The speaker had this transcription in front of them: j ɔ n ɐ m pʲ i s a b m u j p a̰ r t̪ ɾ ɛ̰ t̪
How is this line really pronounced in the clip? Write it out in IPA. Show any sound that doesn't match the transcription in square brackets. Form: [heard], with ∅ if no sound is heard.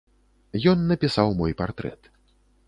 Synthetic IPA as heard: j ɔ [nː] ɐ [∅] pʲ i s a [w] m [ɔ] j p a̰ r t̪ ɾ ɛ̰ t̪